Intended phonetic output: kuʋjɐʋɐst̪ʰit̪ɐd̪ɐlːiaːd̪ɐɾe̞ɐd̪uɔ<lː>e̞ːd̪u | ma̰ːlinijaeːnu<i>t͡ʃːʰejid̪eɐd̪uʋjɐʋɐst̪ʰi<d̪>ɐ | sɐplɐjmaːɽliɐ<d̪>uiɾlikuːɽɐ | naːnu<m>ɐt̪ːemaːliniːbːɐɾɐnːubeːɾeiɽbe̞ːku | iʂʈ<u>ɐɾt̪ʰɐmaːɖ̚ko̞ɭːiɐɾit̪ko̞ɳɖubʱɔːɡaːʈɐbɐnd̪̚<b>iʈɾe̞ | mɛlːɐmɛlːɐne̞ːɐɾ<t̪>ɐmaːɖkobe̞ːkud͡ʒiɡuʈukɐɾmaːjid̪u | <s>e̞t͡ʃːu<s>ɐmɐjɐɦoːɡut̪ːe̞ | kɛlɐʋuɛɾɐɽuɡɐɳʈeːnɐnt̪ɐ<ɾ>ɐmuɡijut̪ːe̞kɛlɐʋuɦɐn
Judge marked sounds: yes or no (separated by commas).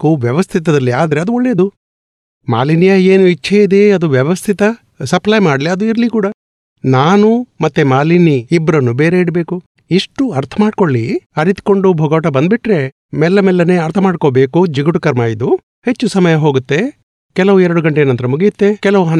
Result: no, yes, no, yes, yes, yes, yes, no, no, yes, yes